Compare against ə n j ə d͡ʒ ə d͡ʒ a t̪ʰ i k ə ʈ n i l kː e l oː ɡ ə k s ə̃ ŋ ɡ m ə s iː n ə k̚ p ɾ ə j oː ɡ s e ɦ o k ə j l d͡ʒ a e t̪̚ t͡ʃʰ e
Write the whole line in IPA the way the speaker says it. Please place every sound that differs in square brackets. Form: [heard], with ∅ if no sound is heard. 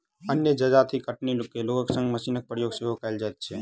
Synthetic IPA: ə n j ə d͡ʒ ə d͡ʒ a t̪ʰ i k ə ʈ n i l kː e l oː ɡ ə k s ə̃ ŋ ɡ m ə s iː n ə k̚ p ɾ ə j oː ɡ s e ɦ o k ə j l d͡ʒ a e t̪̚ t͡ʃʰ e